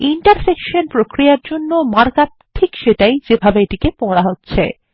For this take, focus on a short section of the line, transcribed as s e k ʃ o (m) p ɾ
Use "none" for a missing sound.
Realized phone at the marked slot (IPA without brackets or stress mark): n